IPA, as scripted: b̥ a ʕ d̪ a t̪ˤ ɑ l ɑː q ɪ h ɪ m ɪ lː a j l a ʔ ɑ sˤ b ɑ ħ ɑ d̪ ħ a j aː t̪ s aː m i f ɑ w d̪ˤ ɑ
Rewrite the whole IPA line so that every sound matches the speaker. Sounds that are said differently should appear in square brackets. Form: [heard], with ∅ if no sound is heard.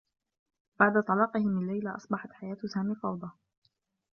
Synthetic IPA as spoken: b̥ a ʕ d̪ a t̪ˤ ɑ l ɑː q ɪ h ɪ m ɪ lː a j l a ʔ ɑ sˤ b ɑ ħ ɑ [t̪] ħ a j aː t̪ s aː m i f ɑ w d̪ˤ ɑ